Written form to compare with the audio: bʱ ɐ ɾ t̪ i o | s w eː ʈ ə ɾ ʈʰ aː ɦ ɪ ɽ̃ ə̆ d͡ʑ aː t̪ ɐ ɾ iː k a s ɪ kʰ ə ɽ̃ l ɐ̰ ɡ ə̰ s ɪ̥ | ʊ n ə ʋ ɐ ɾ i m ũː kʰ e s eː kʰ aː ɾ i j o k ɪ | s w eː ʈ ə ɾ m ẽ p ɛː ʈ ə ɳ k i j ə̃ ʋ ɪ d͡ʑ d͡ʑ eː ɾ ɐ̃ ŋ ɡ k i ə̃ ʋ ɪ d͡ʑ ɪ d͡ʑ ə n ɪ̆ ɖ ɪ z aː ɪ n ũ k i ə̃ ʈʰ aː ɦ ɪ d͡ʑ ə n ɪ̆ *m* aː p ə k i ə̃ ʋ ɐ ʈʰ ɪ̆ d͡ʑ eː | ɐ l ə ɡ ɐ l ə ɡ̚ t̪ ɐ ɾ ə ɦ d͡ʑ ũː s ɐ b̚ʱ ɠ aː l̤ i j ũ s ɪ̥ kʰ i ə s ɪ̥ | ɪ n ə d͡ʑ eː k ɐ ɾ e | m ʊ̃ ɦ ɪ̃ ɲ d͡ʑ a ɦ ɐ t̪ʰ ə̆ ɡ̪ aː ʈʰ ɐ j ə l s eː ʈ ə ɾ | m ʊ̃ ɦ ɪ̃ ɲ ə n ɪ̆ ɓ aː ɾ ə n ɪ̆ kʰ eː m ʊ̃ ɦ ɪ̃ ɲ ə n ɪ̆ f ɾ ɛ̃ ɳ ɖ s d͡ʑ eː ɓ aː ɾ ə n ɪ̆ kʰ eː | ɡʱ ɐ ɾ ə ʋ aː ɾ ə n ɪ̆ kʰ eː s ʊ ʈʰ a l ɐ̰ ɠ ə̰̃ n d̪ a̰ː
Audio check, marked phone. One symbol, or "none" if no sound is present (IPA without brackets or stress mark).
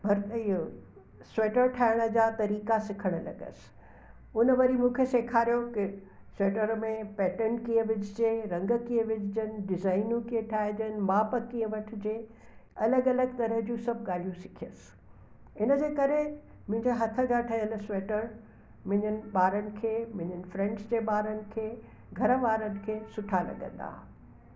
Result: m